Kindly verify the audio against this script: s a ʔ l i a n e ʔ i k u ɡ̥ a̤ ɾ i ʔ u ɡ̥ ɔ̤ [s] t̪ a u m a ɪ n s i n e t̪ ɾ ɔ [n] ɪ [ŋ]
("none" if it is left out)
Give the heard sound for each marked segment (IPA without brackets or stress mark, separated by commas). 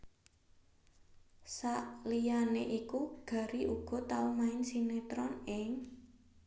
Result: none, n, ŋ